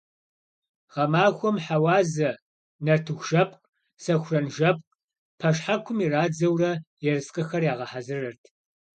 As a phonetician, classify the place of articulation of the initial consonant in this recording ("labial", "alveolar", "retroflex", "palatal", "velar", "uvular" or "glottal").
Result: uvular